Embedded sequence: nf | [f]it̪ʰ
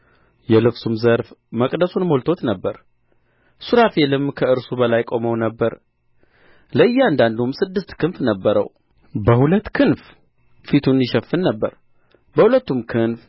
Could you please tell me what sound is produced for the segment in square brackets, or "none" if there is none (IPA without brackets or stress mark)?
f